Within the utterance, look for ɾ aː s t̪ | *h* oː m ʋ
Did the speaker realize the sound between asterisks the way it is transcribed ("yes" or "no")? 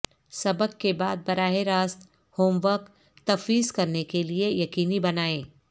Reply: yes